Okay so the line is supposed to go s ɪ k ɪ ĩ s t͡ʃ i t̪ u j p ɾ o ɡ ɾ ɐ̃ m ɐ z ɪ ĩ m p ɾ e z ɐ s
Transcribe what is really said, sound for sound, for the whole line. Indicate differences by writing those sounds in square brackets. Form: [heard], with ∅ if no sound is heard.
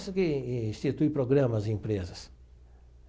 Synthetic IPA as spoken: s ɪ k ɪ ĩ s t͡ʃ i t̪ u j p ɾ o ɡ ɾ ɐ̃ m ɐ z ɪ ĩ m p ɾ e z ɐ s

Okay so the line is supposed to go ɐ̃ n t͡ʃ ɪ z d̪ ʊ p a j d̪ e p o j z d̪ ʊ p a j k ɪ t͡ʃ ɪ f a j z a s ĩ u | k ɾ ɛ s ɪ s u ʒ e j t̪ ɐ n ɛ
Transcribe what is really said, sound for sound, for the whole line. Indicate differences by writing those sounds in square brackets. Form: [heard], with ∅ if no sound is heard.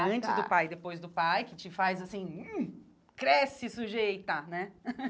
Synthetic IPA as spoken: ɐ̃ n t͡ʃ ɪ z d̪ ʊ p a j d̪ e p o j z d̪ ʊ p a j k ɪ t͡ʃ ɪ f a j z a s ĩ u | k ɾ ɛ s ɪ s u ʒ e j t̪ ɐ n ɛ

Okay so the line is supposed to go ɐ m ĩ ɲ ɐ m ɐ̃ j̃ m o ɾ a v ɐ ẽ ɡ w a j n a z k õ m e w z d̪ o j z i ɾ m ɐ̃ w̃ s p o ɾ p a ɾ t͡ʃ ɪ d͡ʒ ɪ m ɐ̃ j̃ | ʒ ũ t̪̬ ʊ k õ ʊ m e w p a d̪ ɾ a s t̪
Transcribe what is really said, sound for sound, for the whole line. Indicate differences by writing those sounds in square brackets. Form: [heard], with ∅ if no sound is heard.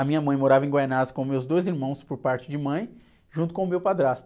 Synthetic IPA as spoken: ɐ m ĩ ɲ ɐ m ɐ̃ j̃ m o ɾ a v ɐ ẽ ɡ w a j n a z k õ m e w z d̪ o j z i ɾ m ɐ̃ w̃ s p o ɾ p a ɾ t͡ʃ ɪ d͡ʒ ɪ m ɐ̃ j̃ | ʒ ũ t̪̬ ʊ k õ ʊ m e w p a d̪ ɾ a s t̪

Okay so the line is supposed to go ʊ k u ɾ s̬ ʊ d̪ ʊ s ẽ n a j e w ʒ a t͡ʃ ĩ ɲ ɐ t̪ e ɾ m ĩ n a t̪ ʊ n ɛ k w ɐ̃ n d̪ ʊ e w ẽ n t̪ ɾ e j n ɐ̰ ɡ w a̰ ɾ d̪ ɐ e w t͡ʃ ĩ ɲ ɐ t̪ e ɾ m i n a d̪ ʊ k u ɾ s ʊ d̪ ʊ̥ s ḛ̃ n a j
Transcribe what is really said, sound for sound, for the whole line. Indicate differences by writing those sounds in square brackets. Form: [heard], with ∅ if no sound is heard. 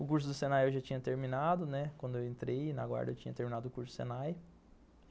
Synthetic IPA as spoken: ʊ k u ɾ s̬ ʊ d̪ ʊ s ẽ n a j e w ʒ a t͡ʃ ĩ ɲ ɐ t̪ e ɾ m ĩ n a [d̪] ʊ n ɛ k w ɐ̃ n d̪ ʊ e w ẽ n t̪ ɾ e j n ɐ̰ ɡ w a̰ ɾ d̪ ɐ e w t͡ʃ ĩ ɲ ɐ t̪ e ɾ m i n a d̪ ʊ k u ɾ s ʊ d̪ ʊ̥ s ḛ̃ n a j

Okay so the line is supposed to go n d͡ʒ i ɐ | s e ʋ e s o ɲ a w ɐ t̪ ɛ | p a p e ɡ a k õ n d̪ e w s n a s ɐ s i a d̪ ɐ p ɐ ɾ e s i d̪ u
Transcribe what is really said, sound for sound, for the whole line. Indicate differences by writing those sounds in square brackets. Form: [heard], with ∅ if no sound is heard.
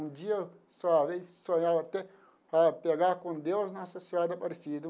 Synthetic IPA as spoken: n d͡ʒ i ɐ | s [a] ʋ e s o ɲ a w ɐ t̪ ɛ | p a p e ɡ a k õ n d̪ e w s n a s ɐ s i a d̪ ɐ p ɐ ɾ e s i d̪ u

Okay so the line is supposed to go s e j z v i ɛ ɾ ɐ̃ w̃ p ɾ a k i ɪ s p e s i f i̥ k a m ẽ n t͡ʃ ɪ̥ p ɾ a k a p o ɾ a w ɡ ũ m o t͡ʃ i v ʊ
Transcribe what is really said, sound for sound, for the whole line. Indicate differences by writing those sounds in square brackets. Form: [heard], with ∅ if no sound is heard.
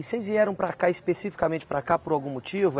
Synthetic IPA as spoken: s e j z v i ɛ ɾ ɐ̃ w̃ p ɾ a k [a] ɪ s p e s i f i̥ k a m ẽ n t͡ʃ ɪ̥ p ɾ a k a p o ɾ a w ɡ ũ m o t͡ʃ i v ʊ

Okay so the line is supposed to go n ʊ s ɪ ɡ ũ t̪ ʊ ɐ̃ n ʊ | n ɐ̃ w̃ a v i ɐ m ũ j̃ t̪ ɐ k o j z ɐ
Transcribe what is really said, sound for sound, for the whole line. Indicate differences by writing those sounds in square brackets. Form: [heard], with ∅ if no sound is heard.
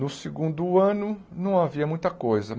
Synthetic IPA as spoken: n ʊ s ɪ ɡ ũ [d̪] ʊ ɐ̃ n ʊ | n ɐ̃ w̃ a v i ɐ m ũ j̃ t̪ ɐ k o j z ɐ

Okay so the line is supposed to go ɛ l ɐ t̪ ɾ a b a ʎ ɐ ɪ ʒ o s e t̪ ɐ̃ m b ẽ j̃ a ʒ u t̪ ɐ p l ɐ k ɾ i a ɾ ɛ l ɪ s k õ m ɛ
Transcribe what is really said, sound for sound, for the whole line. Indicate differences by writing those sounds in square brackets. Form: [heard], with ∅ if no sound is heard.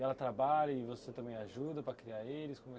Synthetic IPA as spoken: ɛ l ɐ t̪ ɾ a b a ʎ ɐ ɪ [v] o s e t̪ ɐ̃ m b ẽ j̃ a ʒ u [d̪] ɐ p [ɾ] ɐ k ɾ i a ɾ [e] l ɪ s k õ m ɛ

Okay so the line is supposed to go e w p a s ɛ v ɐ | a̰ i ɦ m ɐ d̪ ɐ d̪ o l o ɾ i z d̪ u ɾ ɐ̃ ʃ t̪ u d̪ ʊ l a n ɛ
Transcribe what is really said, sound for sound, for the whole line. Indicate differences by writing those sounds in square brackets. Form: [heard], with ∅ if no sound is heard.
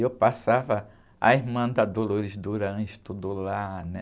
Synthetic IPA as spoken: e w p a s [a] v ɐ | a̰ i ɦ m [ɐ̃] d̪ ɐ d̪ o l o ɾ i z d̪ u ɾ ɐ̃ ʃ t̪ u d̪ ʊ l a n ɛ

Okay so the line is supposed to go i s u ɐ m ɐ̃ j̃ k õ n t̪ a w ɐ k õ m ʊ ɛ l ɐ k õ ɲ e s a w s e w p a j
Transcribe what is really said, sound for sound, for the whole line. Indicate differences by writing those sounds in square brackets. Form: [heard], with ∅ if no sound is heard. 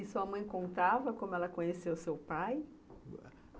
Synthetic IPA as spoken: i s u ɐ m ɐ̃ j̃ k õ n t̪ a [v] ɐ k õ m ʊ ɛ l ɐ k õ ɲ e s [e] w s e w p a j

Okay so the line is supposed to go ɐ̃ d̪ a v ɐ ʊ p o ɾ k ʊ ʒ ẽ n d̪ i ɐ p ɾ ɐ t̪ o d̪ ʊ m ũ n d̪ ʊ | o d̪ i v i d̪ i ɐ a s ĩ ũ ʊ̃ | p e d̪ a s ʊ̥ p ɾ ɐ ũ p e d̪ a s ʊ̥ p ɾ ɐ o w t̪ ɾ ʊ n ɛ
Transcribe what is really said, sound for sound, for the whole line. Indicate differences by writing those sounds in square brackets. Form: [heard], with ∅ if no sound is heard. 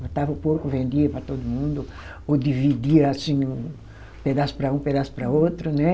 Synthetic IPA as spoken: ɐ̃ [t̪] a v ɐ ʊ p o ɾ k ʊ [v] ẽ n d̪ i ɐ p ɾ ɐ t̪ o d̪ ʊ m ũ n d̪ ʊ | o d̪ i v i d̪ i ɐ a s ĩ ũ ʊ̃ | p e d̪ a s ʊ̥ p ɾ ɐ ũ p e d̪ a s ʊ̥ p ɾ ɐ o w t̪ ɾ ʊ n ɛ

